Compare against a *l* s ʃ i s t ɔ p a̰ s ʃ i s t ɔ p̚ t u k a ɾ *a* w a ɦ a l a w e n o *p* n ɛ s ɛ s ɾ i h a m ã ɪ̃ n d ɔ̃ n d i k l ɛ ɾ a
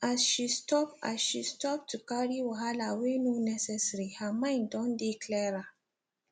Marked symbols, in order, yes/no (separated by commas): no, no, no